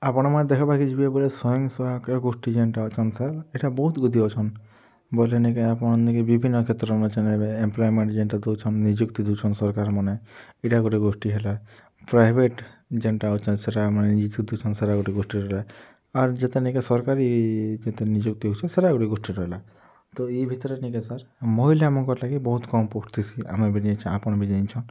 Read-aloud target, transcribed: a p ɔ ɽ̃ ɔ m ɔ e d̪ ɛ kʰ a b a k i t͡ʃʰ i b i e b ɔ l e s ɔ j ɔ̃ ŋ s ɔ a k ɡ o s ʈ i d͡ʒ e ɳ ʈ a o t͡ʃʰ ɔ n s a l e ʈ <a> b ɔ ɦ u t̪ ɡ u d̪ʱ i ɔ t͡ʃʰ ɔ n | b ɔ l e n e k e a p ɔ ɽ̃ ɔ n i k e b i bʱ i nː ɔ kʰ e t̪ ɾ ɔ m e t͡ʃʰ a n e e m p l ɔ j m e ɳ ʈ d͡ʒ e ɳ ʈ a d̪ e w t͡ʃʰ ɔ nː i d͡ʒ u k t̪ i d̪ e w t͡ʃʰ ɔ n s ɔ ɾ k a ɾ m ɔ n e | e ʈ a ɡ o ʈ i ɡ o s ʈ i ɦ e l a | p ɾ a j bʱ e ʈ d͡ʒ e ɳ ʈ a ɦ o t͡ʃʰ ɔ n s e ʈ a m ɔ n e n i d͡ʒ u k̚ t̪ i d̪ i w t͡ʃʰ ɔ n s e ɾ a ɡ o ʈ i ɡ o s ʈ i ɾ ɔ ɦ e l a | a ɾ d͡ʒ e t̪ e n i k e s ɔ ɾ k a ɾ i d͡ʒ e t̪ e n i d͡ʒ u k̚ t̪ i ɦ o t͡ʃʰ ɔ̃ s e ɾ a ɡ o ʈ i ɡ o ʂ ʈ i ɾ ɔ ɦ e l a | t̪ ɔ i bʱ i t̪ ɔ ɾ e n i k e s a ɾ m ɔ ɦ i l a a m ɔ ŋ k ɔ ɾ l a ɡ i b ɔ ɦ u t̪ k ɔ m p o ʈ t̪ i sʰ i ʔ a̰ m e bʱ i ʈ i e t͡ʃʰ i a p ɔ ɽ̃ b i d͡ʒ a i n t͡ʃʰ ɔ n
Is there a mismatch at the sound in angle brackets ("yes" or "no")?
no